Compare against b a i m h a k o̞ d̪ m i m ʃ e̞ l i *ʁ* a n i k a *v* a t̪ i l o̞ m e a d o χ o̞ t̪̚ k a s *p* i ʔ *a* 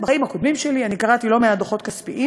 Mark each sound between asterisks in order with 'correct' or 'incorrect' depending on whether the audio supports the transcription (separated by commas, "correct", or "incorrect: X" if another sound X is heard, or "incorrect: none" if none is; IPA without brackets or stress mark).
incorrect: none, incorrect: ʁ, correct, incorrect: i